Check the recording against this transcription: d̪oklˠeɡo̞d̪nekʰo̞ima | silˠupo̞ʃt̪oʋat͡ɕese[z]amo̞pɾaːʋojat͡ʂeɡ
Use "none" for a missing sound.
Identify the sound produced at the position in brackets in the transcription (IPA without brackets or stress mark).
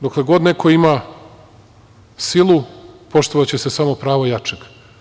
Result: s